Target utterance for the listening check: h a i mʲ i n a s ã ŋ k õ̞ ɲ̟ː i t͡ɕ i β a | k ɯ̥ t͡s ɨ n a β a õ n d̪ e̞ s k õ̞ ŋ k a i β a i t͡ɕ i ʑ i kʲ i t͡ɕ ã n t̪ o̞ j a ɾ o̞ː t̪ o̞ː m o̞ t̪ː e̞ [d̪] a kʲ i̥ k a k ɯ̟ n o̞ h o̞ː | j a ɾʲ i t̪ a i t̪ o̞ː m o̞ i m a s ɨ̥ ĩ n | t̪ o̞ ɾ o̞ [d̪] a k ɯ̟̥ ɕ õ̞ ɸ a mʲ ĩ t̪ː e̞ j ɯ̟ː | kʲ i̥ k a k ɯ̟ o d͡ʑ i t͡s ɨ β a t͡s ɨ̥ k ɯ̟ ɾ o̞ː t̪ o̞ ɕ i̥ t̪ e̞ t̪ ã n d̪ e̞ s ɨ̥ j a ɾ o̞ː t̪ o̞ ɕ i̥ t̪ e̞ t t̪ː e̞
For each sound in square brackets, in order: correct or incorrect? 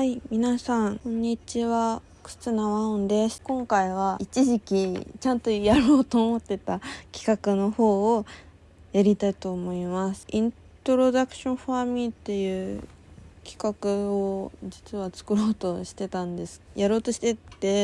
incorrect: t̪, correct

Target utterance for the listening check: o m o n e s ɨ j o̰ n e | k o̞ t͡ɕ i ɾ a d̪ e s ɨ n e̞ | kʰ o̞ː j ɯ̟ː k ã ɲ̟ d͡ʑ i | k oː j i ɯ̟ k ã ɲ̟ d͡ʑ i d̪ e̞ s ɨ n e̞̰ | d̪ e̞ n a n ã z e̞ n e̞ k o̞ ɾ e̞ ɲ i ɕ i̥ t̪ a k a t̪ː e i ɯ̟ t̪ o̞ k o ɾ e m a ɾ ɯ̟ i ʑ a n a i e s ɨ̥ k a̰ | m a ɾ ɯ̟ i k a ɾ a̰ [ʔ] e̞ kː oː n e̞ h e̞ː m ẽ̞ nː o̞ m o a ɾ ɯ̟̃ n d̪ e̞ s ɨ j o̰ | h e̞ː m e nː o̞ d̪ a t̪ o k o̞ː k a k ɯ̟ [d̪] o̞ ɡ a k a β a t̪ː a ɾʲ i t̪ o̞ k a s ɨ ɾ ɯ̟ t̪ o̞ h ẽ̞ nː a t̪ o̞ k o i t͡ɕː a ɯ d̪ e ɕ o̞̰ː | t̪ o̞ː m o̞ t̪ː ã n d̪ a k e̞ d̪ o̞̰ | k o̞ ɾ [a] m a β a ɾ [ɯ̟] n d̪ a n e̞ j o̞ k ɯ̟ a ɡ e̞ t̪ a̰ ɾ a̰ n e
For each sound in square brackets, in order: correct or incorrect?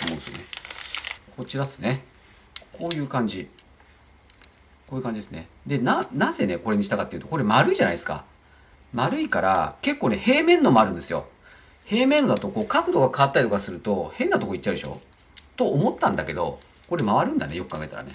incorrect: k, correct, incorrect: e, incorrect: ɯ̟̃

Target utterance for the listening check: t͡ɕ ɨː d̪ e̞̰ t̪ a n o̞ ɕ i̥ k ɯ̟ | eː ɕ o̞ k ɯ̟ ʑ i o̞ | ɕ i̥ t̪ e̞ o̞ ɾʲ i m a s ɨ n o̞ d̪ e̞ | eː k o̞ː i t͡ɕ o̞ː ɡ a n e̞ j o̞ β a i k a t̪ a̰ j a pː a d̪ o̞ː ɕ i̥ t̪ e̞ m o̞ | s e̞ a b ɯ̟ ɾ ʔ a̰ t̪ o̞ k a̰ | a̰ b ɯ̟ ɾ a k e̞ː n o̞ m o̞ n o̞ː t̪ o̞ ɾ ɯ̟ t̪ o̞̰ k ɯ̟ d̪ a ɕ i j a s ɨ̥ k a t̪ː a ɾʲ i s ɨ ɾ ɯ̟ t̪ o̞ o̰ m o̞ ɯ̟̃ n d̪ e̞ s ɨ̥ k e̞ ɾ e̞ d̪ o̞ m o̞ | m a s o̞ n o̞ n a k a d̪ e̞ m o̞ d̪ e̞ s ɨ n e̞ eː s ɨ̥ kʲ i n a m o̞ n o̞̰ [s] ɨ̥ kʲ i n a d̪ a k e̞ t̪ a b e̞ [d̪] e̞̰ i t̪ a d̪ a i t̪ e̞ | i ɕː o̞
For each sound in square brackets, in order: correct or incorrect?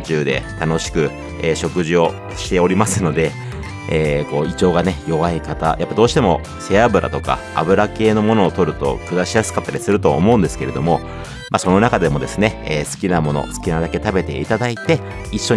correct, incorrect: t̪

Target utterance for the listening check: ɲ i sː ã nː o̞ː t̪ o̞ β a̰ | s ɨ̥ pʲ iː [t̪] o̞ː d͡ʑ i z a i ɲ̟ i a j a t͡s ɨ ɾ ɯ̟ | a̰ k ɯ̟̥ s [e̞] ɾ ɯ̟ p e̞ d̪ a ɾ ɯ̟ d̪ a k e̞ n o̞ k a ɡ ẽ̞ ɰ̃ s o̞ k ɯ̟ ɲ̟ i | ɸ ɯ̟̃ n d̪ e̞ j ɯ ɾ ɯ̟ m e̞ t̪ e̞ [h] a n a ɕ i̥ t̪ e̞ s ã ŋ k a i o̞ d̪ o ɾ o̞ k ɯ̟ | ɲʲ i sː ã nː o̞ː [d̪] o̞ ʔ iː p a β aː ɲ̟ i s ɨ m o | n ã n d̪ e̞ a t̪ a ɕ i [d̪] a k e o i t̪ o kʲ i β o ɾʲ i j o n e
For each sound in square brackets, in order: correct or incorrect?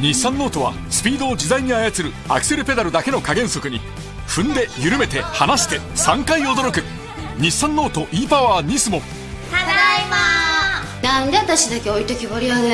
incorrect: d̪, correct, correct, incorrect: t̪, correct

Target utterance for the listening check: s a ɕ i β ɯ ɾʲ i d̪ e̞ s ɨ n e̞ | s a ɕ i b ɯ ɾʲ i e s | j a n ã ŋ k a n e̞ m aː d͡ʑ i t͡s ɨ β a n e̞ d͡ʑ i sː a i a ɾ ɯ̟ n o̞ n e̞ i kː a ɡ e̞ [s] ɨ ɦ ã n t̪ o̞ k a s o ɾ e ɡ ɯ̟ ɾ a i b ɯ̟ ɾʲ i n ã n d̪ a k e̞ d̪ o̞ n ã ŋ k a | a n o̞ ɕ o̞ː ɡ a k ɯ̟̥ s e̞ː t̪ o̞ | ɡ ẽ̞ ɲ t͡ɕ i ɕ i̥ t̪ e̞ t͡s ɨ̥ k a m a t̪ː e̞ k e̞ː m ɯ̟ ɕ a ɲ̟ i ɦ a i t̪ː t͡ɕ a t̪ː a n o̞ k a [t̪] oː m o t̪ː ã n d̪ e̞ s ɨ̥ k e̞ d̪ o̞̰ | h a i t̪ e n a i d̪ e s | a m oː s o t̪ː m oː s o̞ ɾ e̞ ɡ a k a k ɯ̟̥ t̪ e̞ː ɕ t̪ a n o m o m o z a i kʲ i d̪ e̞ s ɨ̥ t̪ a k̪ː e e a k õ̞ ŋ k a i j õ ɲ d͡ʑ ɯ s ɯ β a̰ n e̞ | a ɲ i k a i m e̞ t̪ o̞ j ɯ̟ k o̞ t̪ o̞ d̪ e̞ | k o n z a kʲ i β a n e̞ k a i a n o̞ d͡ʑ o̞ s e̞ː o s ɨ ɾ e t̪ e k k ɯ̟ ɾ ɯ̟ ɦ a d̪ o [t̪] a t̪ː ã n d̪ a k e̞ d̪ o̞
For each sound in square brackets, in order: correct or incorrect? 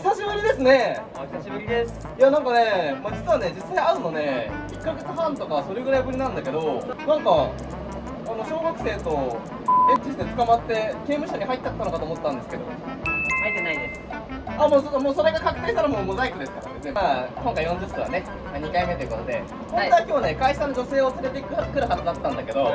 incorrect: t͡s, correct, incorrect: d̪

